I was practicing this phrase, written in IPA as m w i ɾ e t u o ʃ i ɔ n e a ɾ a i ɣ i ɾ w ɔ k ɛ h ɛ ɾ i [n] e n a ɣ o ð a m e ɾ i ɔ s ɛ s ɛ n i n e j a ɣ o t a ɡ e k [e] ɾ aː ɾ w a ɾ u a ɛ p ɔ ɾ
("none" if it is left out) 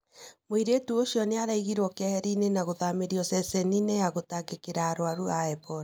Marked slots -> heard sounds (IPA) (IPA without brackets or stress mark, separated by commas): n, e